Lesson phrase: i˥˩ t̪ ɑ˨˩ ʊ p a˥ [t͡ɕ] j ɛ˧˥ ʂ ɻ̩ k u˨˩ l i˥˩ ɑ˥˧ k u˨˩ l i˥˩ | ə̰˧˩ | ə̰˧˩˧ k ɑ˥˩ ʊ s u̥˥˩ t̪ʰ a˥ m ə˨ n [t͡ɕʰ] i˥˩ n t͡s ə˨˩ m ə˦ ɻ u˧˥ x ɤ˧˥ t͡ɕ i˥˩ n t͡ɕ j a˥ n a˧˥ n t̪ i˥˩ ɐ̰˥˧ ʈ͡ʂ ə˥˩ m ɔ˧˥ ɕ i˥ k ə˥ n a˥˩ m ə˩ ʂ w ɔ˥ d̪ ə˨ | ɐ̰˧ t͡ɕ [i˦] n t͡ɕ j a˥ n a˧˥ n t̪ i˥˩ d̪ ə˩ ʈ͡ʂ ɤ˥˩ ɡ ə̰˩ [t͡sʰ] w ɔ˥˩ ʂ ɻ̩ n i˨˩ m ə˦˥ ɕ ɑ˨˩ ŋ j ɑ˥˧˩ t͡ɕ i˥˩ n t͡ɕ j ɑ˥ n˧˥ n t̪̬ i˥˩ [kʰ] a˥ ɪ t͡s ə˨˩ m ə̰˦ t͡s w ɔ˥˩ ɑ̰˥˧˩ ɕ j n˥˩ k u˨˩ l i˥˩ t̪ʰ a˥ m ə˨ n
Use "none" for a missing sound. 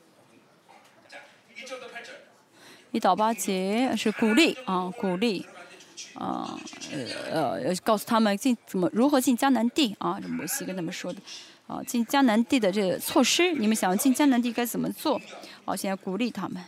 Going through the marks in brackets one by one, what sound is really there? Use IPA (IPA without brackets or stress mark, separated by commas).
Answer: t͡ɕ, t͡ɕ, i˥˩, t͡sʰ, k